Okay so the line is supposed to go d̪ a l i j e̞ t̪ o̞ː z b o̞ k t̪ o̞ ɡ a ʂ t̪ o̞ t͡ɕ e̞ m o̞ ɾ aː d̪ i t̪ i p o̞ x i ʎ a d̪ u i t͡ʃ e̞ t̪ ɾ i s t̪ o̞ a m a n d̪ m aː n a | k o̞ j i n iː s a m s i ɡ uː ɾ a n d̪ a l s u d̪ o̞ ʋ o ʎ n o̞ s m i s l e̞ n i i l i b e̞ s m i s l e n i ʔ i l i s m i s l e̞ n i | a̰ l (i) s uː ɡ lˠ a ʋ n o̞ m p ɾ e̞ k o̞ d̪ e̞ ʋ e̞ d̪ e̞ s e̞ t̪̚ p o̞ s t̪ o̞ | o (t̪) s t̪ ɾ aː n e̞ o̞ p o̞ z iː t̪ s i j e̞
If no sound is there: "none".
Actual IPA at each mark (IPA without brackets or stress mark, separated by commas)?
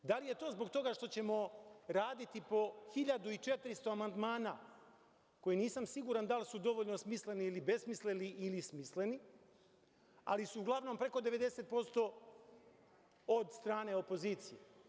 i, d̪